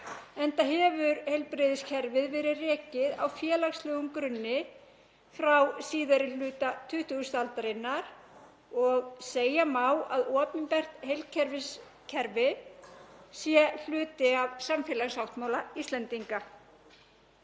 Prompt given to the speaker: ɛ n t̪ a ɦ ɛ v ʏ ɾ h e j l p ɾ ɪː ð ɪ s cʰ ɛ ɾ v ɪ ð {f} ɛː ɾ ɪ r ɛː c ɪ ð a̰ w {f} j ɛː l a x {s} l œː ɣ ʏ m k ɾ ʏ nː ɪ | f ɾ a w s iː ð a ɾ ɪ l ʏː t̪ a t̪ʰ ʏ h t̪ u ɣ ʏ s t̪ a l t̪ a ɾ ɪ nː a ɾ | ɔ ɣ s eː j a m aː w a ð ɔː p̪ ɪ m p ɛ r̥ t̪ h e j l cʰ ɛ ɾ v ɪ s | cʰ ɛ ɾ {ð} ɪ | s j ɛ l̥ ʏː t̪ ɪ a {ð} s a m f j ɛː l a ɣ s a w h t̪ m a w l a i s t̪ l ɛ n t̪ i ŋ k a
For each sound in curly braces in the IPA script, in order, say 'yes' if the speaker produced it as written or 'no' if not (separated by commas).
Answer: no, yes, yes, no, no